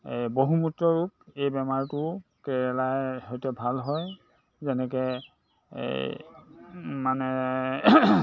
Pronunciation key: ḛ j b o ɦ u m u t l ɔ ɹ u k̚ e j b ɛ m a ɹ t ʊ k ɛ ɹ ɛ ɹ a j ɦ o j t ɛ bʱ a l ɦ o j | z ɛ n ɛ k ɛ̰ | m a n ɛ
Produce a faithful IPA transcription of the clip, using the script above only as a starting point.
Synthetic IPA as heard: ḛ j b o ɦ u m u t ɹ ɔ ɹ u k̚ e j b ɛ m a ɹ t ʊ k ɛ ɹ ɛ l a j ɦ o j t ɛ bʱ a l ɦ ɔ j | z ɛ n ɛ k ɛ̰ | m a n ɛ